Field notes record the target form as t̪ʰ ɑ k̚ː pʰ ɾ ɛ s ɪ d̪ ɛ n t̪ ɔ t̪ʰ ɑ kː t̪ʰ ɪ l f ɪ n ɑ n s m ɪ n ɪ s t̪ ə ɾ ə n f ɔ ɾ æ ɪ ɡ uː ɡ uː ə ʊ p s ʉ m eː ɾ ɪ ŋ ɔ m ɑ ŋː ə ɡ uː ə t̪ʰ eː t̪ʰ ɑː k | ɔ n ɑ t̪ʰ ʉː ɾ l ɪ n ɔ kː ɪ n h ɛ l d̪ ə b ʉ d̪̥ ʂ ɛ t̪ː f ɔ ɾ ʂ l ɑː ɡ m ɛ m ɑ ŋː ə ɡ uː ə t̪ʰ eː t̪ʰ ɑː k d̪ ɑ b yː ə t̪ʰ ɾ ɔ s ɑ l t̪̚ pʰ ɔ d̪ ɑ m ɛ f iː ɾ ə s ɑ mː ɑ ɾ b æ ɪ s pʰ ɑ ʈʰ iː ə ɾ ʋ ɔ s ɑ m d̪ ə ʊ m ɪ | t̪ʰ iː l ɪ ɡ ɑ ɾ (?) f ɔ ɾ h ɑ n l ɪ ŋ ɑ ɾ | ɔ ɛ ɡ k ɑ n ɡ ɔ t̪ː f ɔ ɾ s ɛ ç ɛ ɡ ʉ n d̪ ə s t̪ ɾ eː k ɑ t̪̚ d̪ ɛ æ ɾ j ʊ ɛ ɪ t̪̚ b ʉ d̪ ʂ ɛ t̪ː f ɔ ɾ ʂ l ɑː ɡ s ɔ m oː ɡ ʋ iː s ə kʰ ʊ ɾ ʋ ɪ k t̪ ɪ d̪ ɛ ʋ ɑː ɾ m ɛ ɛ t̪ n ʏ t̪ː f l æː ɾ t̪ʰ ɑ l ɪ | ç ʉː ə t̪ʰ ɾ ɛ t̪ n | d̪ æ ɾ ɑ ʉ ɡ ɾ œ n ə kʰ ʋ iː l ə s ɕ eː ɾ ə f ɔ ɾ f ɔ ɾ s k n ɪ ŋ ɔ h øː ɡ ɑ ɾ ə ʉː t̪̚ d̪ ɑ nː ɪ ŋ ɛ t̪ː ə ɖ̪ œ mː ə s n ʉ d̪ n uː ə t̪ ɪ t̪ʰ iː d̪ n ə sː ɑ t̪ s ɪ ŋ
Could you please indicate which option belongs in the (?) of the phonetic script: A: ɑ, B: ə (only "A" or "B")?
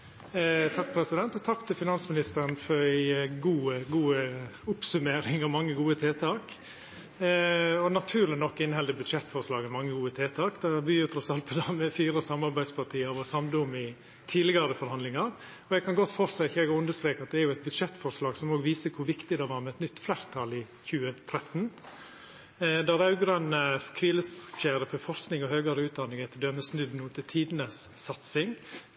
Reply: B